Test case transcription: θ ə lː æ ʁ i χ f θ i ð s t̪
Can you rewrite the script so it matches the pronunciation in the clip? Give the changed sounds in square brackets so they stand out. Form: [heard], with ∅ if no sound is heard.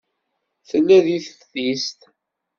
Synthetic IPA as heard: θ ə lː æ [ð] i [θ] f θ i [∅] s t̪